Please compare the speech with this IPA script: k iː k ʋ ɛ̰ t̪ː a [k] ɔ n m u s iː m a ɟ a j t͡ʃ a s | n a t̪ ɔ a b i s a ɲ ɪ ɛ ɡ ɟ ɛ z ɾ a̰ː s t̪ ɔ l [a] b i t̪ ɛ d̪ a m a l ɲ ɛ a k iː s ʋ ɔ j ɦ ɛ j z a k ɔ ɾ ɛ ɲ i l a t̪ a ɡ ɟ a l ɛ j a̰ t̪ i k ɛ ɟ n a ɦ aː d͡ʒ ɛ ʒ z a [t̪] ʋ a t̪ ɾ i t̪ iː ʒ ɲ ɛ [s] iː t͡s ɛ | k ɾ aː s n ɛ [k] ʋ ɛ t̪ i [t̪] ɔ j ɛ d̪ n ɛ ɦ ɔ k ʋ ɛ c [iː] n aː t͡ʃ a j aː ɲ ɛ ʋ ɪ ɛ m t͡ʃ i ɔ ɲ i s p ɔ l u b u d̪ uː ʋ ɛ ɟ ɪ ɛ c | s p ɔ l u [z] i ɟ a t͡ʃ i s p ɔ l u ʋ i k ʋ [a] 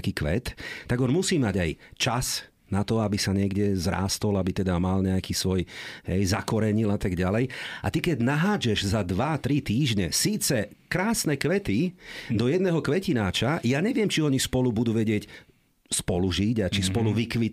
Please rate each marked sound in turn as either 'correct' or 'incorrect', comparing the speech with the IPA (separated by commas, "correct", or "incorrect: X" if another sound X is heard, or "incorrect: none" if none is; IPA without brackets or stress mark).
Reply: incorrect: ɡ, correct, incorrect: d̪, correct, correct, incorrect: d̪, incorrect: i, incorrect: ʒ, incorrect: i